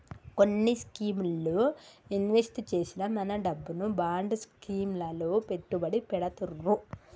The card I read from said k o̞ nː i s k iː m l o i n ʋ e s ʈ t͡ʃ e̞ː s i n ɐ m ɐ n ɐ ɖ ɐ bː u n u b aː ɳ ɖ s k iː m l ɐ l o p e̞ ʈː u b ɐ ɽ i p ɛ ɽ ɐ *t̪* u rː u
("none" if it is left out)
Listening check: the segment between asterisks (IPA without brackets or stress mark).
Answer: t̪